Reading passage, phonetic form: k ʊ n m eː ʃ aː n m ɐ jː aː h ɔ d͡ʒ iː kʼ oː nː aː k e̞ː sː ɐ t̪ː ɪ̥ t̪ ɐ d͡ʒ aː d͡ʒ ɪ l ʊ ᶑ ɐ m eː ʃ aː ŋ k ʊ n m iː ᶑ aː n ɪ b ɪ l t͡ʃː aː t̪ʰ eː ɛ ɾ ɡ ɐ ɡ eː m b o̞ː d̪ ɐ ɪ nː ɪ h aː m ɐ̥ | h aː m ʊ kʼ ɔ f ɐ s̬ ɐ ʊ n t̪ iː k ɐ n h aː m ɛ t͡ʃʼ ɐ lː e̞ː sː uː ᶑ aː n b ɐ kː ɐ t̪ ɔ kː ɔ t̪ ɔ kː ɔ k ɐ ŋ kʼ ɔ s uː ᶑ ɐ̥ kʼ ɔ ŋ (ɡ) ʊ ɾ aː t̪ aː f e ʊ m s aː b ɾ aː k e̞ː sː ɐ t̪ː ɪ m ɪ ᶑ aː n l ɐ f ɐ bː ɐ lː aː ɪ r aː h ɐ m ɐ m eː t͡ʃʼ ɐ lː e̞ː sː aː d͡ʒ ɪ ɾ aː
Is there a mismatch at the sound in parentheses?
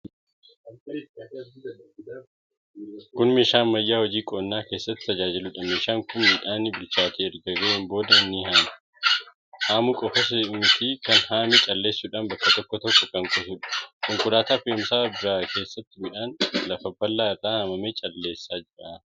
yes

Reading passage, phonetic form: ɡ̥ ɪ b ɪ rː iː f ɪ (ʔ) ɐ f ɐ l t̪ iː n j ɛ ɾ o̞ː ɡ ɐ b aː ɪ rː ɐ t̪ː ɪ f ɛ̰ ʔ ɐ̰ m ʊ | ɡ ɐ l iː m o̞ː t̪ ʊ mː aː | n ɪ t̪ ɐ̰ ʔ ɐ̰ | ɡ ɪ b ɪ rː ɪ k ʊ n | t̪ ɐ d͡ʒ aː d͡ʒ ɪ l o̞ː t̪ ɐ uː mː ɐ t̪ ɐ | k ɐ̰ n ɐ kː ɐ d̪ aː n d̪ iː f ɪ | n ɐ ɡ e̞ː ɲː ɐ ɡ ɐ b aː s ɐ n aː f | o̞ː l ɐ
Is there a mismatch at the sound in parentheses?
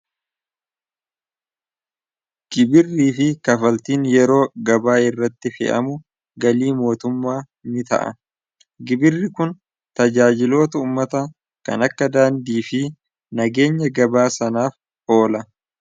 yes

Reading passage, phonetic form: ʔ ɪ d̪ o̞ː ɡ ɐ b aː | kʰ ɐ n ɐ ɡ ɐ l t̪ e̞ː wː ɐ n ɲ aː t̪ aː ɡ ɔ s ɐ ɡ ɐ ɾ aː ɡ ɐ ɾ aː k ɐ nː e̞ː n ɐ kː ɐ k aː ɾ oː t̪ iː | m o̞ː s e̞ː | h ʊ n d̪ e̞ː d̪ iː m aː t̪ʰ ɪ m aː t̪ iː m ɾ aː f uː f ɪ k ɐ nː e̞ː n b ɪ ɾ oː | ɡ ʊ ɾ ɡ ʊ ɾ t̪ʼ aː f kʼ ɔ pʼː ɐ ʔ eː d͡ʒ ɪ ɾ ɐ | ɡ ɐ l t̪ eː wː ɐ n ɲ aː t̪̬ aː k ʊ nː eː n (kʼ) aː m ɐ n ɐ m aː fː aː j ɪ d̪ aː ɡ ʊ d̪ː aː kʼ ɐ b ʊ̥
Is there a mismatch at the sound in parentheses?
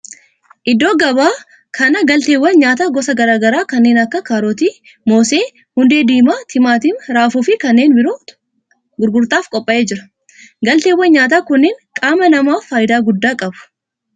no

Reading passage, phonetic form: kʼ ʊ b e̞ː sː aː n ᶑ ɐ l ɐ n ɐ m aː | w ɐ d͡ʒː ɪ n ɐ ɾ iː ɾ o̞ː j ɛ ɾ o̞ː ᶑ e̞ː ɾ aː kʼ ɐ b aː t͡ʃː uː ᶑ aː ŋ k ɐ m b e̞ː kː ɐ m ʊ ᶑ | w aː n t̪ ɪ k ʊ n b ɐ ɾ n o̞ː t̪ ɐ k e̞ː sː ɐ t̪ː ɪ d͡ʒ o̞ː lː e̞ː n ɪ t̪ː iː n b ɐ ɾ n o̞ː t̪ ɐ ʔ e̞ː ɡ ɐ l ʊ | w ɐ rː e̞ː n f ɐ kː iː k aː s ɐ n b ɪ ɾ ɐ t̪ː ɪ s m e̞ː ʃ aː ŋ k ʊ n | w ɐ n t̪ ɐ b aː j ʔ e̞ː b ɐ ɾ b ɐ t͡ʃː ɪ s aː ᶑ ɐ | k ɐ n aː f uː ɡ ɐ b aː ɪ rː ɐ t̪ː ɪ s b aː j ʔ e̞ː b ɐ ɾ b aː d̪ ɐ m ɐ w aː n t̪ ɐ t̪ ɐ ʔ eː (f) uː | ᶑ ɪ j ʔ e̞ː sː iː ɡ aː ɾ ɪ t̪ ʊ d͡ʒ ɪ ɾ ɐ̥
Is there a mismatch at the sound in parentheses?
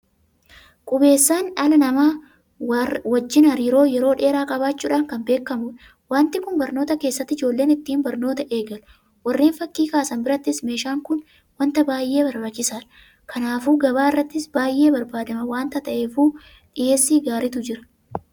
no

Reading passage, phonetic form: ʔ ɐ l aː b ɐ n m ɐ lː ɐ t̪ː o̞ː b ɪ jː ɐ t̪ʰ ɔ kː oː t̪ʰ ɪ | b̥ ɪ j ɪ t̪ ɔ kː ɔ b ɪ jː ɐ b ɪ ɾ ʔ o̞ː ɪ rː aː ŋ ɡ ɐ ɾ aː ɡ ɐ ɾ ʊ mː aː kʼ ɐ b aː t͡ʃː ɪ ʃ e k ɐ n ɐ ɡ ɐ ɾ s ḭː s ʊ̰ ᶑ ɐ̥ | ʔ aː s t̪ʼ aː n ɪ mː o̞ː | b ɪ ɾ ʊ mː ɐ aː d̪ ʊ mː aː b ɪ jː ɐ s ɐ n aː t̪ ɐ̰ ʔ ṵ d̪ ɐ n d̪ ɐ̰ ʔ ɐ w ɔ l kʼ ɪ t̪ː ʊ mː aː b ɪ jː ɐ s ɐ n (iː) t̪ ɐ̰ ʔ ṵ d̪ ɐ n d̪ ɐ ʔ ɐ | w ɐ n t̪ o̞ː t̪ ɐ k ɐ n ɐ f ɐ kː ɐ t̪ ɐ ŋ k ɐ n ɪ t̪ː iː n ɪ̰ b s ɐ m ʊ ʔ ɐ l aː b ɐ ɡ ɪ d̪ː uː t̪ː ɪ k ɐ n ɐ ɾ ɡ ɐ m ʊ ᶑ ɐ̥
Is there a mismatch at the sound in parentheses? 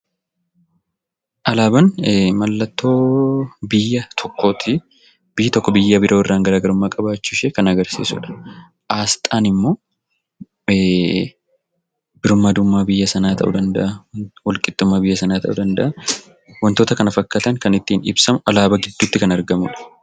yes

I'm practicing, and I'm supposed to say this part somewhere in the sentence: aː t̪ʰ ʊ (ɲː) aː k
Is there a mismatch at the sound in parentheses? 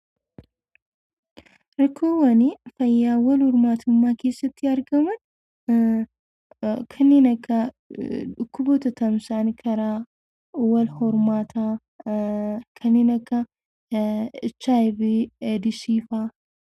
yes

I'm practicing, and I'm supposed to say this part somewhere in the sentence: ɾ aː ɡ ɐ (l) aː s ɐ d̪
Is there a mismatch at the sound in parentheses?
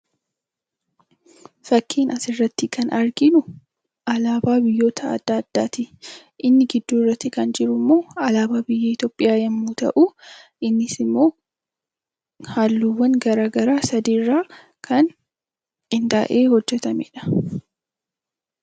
yes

